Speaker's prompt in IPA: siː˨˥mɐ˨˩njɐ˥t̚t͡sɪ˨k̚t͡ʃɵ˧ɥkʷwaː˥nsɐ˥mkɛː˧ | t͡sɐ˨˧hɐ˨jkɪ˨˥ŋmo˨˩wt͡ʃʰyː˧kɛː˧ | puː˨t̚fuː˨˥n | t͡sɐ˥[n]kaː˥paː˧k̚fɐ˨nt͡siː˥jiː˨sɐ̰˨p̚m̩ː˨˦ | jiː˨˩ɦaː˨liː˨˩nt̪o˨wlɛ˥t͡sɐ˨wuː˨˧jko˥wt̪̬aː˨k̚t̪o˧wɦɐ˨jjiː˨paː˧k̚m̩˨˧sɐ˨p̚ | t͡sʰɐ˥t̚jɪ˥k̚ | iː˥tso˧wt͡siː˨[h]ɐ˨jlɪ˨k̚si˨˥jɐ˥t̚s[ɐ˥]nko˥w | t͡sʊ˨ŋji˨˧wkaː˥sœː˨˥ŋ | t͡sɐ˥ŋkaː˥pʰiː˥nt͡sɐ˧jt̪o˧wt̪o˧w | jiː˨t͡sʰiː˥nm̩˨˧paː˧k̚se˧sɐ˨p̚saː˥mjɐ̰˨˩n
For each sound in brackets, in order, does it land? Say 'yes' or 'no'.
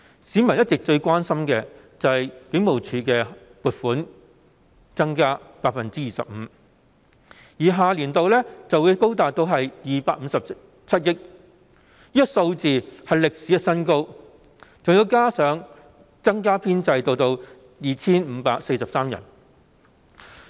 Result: no, yes, yes

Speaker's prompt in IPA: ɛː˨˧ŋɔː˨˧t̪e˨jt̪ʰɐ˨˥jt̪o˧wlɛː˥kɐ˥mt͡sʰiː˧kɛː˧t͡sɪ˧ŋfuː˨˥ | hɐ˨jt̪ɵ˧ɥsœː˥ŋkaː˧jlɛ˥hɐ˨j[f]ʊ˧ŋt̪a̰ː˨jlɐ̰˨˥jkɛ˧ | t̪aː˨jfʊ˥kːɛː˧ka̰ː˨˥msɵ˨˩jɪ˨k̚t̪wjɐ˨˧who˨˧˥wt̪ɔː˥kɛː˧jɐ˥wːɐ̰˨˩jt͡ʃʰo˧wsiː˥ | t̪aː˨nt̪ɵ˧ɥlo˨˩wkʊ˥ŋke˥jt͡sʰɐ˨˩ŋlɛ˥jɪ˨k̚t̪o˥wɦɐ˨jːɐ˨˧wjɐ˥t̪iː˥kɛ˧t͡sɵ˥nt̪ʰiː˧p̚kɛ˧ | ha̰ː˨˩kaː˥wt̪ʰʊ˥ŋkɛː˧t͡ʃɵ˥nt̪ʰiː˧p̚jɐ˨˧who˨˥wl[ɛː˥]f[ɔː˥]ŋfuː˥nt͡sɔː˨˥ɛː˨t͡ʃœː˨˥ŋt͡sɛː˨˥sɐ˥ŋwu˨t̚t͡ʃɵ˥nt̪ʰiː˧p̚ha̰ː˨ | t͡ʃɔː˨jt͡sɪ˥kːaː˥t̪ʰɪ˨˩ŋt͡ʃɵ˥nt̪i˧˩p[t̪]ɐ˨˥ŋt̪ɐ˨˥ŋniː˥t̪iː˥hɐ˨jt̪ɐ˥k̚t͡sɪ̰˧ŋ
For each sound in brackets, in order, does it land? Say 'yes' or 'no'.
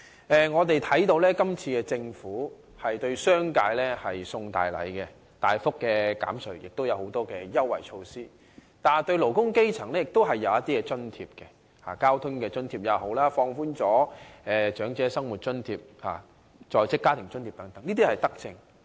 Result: no, no, no, yes

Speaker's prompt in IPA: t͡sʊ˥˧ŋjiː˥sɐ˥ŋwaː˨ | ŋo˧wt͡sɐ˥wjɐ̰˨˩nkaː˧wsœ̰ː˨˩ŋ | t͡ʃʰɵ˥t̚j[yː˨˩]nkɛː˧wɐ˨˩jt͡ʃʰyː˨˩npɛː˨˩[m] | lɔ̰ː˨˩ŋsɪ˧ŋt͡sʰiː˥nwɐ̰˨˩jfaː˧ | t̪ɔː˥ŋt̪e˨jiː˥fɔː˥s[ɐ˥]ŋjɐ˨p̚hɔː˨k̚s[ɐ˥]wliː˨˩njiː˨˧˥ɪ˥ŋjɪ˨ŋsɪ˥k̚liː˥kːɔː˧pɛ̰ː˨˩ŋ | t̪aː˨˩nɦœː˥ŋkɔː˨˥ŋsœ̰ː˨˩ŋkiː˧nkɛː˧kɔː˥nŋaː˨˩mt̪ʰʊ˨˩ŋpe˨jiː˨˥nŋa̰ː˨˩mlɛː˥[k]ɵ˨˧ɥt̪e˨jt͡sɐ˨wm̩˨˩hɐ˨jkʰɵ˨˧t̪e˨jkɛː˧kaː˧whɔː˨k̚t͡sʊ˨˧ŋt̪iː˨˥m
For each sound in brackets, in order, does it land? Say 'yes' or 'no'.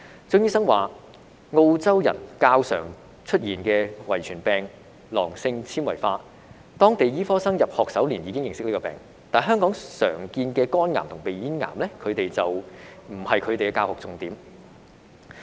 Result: no, no, yes, no, no

